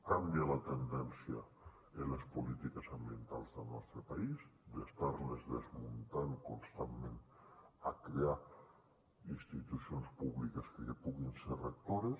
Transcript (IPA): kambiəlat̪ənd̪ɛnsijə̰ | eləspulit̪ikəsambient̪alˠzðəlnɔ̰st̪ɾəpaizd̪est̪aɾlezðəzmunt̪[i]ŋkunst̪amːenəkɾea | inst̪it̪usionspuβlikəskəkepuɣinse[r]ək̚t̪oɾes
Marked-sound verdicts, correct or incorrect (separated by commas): incorrect, correct